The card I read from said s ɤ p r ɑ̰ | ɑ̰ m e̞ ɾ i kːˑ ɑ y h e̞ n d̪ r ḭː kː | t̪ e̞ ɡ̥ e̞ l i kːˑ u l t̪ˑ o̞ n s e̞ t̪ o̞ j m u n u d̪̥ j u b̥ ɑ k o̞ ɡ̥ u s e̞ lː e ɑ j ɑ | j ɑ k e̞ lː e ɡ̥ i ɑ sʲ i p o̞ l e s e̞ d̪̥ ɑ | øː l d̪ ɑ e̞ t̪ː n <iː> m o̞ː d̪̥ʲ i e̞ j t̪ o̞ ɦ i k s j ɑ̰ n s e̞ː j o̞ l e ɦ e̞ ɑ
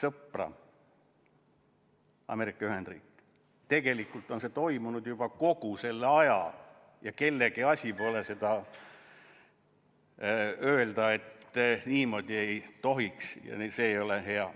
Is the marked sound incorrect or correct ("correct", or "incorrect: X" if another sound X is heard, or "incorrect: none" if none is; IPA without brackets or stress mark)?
correct